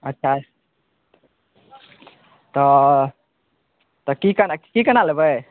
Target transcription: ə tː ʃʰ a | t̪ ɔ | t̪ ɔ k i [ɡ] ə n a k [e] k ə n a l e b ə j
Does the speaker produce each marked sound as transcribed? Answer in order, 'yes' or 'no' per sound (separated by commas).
no, no